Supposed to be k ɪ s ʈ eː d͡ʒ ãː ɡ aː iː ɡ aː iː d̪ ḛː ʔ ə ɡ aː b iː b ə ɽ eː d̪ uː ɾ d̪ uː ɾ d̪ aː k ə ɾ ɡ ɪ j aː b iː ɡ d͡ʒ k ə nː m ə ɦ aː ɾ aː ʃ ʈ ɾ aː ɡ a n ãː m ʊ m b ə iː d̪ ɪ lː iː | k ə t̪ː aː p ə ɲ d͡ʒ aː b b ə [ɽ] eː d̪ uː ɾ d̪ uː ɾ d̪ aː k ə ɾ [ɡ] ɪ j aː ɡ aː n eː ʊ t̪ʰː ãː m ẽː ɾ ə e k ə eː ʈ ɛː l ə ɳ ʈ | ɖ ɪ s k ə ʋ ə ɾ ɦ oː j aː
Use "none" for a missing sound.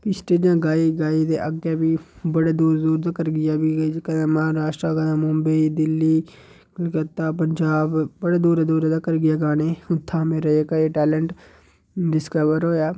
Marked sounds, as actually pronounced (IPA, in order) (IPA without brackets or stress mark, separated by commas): ɽ, ɡ